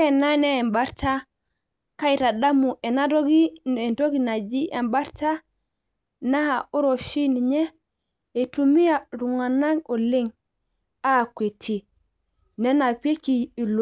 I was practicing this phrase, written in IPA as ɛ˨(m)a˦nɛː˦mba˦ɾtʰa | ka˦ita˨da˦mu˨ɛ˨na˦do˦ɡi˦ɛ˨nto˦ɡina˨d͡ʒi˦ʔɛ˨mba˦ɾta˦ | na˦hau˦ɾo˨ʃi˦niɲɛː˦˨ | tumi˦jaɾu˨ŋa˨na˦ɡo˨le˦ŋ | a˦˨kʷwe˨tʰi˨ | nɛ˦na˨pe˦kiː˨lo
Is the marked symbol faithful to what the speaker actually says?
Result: no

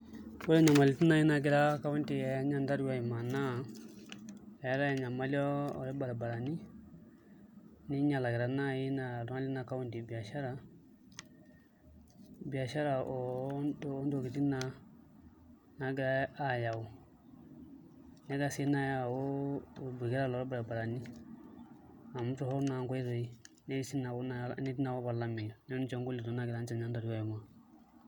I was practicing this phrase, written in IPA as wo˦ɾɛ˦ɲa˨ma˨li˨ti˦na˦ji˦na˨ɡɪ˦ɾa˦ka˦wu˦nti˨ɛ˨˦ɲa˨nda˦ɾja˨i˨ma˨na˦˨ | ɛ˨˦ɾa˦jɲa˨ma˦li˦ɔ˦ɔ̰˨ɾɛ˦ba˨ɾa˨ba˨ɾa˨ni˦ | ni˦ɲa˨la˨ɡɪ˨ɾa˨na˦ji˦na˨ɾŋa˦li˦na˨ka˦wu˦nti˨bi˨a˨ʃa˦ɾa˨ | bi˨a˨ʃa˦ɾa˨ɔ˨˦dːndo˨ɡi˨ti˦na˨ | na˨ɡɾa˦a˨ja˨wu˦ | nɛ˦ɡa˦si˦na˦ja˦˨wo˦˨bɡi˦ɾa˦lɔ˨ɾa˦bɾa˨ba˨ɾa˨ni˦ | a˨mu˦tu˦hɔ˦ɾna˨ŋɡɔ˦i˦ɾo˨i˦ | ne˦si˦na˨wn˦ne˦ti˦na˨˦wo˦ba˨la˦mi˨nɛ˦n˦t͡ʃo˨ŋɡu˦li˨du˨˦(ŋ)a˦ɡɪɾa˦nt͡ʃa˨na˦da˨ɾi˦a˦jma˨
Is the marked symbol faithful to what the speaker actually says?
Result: no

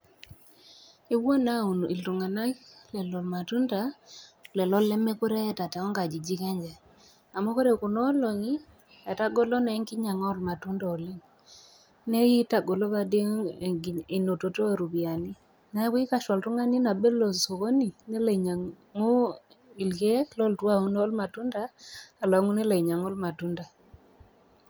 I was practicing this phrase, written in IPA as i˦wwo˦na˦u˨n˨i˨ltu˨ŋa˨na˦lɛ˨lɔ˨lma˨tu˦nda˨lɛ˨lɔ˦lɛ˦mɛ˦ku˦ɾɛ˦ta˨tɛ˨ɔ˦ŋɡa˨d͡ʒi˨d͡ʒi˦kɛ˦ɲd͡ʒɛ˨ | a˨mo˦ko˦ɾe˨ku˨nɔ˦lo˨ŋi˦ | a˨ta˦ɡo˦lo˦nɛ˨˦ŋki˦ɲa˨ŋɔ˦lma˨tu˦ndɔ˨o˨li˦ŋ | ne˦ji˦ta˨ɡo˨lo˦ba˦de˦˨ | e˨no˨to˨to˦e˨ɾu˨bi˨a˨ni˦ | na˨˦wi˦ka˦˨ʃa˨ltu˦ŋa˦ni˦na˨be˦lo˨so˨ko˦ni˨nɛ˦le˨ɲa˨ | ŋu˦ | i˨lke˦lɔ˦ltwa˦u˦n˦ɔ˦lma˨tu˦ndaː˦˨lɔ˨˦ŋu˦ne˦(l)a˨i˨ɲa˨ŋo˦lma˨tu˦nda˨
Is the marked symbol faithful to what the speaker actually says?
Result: yes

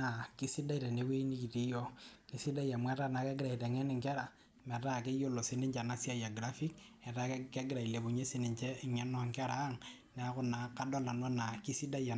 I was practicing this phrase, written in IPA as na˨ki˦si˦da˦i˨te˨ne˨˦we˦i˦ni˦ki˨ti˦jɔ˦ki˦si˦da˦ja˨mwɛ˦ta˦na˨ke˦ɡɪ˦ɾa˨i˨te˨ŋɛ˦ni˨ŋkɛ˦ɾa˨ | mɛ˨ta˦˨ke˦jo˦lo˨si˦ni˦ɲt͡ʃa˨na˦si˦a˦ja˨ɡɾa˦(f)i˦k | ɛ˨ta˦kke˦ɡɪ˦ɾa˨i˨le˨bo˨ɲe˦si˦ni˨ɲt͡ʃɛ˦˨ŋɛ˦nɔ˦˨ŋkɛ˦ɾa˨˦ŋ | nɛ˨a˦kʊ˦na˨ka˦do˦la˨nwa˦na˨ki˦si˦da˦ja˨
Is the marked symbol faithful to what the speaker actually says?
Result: yes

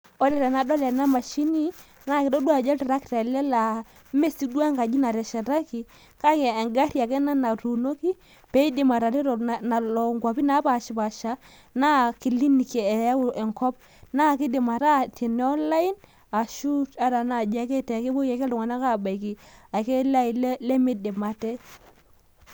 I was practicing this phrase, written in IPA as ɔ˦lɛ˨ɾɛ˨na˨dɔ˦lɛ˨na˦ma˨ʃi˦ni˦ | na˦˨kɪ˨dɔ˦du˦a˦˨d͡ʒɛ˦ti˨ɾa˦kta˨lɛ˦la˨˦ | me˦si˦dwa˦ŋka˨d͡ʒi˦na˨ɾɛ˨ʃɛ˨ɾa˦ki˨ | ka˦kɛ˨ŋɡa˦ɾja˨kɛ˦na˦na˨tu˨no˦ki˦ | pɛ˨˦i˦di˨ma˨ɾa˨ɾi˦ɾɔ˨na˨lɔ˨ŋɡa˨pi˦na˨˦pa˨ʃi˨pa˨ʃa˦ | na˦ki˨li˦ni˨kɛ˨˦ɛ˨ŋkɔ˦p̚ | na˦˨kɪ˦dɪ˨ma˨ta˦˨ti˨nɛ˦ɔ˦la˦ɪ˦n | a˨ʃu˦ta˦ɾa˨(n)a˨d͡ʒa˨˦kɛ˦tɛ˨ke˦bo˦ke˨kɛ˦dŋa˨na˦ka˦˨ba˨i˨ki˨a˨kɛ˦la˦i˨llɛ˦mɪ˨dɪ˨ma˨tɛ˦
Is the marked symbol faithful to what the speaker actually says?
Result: yes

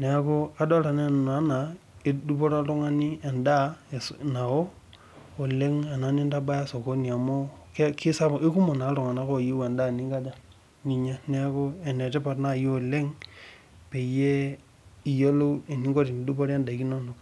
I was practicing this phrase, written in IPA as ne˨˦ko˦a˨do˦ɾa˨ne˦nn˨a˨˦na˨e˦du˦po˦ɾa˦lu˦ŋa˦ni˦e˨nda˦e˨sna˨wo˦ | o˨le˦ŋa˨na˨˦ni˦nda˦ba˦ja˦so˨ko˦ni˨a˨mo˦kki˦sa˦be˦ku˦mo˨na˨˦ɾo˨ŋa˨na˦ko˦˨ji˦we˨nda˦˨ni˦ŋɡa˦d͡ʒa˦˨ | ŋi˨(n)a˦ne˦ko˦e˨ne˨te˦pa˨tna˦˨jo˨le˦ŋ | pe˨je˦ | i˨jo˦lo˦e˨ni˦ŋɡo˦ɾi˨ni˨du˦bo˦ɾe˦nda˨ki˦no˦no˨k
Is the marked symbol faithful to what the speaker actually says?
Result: no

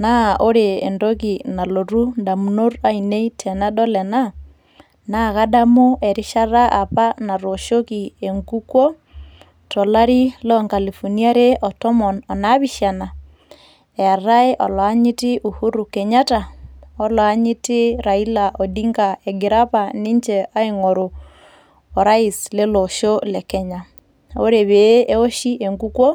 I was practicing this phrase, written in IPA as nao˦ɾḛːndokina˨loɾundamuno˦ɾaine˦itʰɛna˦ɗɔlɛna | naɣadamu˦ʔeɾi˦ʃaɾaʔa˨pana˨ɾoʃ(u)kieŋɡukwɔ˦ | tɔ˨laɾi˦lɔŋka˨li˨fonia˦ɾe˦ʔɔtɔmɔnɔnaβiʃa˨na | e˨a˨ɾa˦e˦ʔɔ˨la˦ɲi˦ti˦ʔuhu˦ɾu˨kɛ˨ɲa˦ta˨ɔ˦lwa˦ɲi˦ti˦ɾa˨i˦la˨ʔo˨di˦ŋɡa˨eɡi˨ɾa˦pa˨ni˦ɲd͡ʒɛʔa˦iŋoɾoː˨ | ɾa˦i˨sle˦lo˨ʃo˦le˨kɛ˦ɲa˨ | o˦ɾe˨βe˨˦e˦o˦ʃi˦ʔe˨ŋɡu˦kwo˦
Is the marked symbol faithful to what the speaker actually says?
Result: no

